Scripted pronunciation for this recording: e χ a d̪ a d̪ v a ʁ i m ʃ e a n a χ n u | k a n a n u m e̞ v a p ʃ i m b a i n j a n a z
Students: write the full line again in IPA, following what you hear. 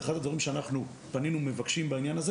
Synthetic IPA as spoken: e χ a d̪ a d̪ v a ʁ i m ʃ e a n a χ n u | p a n i n u m e̞ v a k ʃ i m b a i n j a n a z